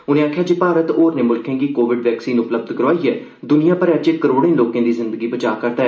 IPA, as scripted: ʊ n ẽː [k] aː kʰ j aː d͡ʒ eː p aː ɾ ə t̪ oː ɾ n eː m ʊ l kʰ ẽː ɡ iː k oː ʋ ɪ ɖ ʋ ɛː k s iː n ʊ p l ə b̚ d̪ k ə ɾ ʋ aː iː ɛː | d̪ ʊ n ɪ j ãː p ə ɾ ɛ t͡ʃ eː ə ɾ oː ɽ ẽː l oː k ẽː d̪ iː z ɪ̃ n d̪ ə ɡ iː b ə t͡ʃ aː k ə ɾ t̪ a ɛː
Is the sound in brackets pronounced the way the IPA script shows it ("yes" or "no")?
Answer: no